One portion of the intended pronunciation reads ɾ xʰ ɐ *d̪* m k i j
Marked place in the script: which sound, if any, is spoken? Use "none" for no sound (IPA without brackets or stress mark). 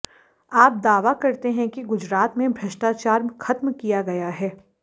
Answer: t̪